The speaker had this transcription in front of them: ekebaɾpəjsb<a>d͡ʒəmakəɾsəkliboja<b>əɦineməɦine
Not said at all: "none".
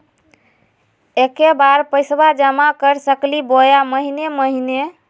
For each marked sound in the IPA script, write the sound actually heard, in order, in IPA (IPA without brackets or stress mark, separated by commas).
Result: a, m